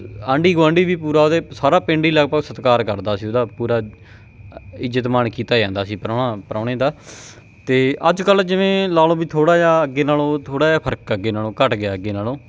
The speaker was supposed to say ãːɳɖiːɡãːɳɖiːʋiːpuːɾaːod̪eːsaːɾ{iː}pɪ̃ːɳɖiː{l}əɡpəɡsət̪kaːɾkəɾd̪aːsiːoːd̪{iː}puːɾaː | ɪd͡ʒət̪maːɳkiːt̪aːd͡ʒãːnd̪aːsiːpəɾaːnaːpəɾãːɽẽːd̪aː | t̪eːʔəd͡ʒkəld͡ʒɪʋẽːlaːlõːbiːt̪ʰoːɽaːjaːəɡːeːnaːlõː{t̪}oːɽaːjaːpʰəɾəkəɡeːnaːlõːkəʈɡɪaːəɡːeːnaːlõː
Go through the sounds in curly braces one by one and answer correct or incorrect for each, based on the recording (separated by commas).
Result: incorrect, correct, incorrect, incorrect